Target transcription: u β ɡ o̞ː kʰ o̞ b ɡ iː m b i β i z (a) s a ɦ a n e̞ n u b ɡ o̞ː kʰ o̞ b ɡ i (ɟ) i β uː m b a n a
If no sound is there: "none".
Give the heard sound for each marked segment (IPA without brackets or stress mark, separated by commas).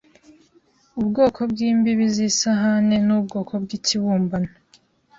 i, c